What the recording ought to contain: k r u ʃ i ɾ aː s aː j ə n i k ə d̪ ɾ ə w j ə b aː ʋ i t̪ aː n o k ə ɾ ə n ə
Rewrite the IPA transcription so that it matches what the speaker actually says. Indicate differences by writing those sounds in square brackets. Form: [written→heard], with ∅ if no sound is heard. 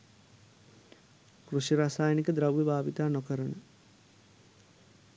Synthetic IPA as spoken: k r u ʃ i ɾ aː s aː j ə n i k ə d̪ ɾ [ə→a] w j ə b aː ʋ i t̪ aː n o k ə ɾ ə n ə

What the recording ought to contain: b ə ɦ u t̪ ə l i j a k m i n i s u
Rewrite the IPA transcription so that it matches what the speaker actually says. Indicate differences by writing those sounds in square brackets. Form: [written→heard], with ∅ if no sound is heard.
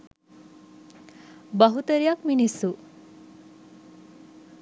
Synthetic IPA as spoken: b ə ɦ u t̪ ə [l→ɾ] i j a k m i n i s u

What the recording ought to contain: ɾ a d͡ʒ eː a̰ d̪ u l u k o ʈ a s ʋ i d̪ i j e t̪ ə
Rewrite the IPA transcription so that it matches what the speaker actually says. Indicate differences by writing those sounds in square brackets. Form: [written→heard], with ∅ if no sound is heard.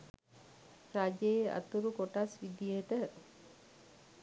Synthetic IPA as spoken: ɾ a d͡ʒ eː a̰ [d̪→t̪] u [l→ɾ] u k o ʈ a s ʋ i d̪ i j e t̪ ə

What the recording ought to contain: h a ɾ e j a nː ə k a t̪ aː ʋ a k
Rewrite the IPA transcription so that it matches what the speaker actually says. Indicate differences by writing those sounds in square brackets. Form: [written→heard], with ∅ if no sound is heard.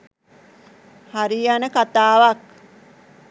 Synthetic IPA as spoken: h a ɾ [e→i] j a [nː→n] ə k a t̪ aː ʋ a k

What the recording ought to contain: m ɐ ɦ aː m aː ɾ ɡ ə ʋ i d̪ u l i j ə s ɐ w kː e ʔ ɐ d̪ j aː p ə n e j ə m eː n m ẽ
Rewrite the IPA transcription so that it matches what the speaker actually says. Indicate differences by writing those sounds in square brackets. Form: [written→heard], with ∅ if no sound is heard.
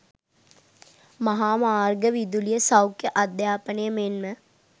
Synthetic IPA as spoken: m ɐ ɦ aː m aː ɾ ɡ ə ʋ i d̪ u l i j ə s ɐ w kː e ʔ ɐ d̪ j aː p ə n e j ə m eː n m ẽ

